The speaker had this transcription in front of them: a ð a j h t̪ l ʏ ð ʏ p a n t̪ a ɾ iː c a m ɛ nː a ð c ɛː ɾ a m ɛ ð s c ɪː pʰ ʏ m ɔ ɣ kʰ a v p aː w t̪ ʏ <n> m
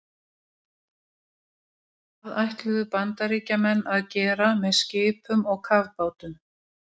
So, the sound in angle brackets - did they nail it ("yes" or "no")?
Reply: no